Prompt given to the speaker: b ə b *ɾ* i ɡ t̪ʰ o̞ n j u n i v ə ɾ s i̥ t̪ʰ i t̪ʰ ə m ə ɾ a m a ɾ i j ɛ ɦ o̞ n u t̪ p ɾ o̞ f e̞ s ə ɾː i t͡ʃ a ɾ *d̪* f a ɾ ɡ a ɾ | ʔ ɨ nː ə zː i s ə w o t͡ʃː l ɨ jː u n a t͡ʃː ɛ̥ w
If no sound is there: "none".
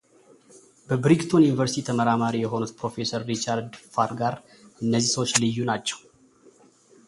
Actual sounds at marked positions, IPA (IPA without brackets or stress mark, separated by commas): ɾ, d̪